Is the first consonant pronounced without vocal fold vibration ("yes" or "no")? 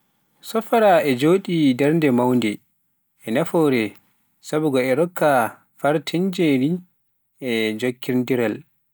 yes